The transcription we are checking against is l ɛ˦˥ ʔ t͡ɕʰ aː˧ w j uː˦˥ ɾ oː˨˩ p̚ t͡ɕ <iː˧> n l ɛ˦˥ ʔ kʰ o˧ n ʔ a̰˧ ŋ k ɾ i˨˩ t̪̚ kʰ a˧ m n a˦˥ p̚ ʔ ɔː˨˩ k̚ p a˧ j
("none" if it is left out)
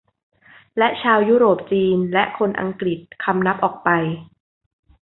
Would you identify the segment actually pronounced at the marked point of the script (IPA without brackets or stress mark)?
iː˧